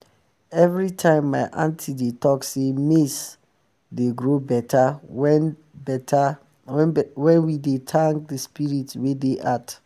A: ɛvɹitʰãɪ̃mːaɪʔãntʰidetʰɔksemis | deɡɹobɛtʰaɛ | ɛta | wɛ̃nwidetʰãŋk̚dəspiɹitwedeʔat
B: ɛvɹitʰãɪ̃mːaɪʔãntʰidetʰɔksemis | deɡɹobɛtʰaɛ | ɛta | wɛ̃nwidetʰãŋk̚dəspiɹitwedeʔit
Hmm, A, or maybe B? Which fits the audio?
A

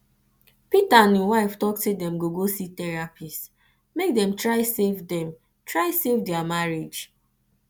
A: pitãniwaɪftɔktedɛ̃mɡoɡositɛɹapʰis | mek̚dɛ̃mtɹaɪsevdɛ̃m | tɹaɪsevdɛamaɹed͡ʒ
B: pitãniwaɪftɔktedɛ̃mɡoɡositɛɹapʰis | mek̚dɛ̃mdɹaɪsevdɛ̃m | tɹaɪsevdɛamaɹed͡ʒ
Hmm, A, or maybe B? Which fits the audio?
A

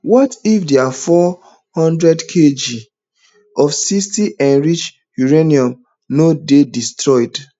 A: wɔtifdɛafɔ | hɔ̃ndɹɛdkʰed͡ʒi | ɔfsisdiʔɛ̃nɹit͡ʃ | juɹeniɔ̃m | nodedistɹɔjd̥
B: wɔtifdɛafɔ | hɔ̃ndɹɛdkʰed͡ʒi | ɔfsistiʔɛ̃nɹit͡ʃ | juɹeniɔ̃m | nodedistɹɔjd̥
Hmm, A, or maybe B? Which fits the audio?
B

